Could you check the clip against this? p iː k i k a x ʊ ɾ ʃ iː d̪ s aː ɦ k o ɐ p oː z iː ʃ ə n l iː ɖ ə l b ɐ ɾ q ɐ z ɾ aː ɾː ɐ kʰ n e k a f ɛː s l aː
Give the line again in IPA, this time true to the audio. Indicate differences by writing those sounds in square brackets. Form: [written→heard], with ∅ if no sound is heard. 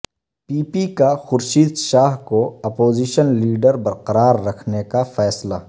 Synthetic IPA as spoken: p iː [k→p] i k a x ʊ ɾ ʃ iː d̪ [s→ʃ] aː ɦ k o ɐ p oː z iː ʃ ə n l iː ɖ ə [l→ɾ] b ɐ ɾ q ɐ [z→∅] ɾ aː ɾː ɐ kʰ n e k a f ɛː s l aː